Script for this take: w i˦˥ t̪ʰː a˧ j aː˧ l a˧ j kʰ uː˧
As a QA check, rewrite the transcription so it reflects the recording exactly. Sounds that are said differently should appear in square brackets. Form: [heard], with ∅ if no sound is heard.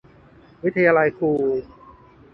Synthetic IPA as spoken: w i˦˥ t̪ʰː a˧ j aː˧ l a˧ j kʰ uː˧